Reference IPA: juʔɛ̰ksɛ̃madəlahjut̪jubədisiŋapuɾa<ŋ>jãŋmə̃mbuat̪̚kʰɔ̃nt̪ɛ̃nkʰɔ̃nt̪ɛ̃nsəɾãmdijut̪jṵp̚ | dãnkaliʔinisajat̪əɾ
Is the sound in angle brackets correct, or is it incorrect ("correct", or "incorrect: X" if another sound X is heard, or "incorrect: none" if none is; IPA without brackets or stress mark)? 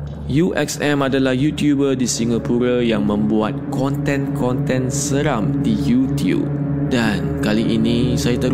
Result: incorrect: none